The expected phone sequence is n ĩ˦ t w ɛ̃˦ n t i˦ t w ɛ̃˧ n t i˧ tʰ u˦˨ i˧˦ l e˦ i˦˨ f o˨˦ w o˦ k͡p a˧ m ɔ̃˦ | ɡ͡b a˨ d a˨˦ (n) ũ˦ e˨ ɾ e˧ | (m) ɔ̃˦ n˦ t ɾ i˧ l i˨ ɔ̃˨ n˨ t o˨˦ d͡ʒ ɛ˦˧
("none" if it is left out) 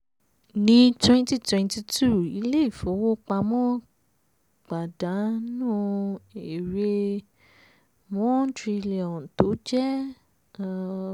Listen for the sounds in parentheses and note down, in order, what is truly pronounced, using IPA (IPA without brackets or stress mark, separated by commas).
n, m